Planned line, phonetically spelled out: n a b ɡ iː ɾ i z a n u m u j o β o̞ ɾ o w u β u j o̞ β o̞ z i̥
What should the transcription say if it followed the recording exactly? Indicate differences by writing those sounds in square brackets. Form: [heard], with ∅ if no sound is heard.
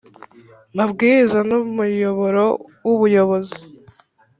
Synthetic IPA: [m] a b ɡ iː ɾ i z a n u m u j o β o̞ ɾ o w u β u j o̞ β o̞ z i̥